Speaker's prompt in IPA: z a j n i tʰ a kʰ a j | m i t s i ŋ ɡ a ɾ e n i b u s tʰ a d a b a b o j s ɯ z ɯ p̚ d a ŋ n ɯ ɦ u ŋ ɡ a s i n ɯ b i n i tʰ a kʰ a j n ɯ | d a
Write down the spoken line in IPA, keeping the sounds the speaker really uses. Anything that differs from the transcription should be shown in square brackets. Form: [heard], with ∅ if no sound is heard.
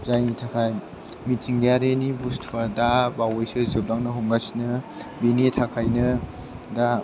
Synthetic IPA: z a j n i tʰ a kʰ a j | m i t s i ŋ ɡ a ɾ e n i b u s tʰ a d a b a [w] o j s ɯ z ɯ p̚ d a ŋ n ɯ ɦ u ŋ ɡ a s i n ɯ b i n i tʰ a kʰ a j n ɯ | d a